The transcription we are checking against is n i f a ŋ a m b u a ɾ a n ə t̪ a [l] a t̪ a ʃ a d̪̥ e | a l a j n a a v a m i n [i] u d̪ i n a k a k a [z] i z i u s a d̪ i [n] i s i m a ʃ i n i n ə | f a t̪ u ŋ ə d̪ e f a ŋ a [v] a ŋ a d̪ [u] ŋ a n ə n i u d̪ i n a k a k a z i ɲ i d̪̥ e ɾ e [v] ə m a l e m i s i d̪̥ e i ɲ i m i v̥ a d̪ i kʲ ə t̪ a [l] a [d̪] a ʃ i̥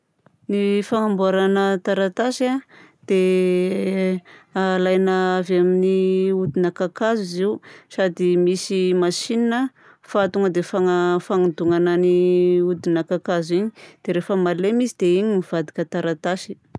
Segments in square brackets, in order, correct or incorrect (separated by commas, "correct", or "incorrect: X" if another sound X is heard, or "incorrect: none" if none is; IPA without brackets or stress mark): incorrect: ɾ, correct, correct, incorrect: m, incorrect: f, correct, incorrect: f, incorrect: ɾ, incorrect: t̪